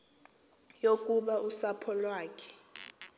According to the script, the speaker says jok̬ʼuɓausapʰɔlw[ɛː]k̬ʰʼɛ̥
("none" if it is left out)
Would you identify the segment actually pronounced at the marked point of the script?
aː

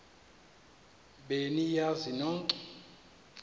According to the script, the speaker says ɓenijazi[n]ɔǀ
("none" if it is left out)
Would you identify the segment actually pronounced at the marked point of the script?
n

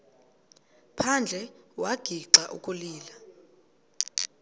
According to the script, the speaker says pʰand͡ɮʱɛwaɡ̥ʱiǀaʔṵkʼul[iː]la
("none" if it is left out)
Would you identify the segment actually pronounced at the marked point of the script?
iː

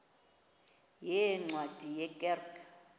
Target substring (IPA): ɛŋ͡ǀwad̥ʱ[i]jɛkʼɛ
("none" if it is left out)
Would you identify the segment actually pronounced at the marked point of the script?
i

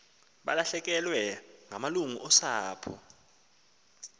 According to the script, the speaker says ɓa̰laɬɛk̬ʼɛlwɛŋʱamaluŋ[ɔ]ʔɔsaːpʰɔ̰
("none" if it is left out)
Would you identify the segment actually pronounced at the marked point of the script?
u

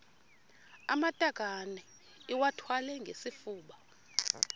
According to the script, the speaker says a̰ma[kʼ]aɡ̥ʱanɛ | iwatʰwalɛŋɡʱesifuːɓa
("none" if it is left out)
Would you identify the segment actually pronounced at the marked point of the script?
tʼ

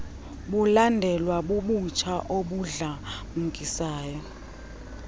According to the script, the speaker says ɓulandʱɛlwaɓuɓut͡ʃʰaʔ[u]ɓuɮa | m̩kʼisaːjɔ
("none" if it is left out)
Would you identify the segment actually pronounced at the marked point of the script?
o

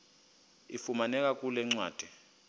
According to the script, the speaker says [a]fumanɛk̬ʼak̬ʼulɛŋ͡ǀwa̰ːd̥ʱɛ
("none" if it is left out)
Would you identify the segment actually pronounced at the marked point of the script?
i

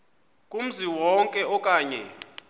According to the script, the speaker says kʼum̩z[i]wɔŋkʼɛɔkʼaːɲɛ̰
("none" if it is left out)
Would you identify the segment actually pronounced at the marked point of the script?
i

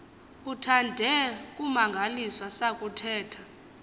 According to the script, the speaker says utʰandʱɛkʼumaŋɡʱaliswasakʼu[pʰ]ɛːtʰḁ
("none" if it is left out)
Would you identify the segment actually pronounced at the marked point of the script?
tʰ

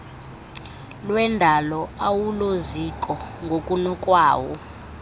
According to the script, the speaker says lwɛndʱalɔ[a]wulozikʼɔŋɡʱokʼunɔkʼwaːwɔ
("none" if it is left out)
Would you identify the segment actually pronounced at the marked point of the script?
a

